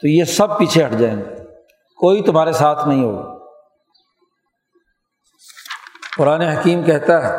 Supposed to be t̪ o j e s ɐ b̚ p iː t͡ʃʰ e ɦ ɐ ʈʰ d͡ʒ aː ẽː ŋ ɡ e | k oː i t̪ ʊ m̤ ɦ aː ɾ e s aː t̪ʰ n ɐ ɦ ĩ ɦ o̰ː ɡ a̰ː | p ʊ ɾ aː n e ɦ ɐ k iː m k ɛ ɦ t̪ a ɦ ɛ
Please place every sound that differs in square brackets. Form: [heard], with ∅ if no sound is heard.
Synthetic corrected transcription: t̪ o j e s ɐ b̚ p iː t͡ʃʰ e ɦ ɐ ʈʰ d͡ʒ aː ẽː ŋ ɡ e | k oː i t̪ ʊ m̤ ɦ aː ɾ e s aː t̪ʰ n ɐ ɦ ĩ ɦ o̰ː ɡ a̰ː | p ʊ ɾ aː n e ɦ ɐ k iː m k ɛ ɦ t̪ a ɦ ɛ